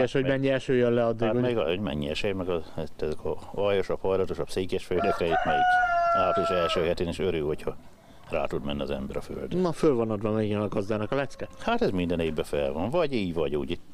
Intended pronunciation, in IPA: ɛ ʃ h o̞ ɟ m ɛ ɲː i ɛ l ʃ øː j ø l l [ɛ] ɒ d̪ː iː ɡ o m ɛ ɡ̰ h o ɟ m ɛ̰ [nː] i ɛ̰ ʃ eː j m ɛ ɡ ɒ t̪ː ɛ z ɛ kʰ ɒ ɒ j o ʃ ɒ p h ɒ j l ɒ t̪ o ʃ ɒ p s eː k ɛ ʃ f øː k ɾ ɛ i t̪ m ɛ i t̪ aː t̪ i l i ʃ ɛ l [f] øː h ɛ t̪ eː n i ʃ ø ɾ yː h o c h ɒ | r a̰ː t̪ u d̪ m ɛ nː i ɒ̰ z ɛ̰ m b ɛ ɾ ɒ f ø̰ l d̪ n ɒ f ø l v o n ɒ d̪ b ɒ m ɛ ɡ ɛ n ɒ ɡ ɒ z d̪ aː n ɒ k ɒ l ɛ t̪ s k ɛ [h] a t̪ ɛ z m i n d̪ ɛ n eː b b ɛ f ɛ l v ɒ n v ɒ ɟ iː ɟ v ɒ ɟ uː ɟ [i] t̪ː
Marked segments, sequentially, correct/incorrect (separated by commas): correct, incorrect, incorrect, correct, correct